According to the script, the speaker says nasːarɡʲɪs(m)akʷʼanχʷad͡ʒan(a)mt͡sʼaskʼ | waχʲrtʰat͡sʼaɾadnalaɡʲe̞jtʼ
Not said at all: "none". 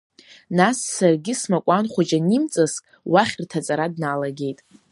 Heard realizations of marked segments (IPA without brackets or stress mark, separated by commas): m, i